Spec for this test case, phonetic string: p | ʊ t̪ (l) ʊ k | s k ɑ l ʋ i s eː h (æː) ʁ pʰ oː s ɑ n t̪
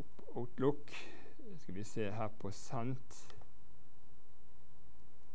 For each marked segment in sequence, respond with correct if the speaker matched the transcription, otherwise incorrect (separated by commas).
correct, correct